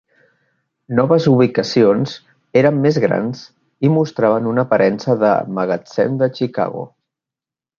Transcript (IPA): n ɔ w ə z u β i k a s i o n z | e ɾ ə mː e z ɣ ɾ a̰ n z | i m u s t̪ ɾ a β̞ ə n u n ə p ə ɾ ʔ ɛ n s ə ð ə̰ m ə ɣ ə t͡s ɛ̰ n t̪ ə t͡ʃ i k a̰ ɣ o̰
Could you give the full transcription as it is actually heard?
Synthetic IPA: n ɔ β ə z u β i k ə s i o n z | e ɾ ə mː e z ɣ ɾ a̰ n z | i m u s t̪ ɾ a β̞ ə n u n ə p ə ɾ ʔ ɛ n s ə ð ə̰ m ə ɣ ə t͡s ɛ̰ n d̪ ə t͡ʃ i k a̰ ɣ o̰